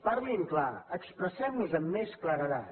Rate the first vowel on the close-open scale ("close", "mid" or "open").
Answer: open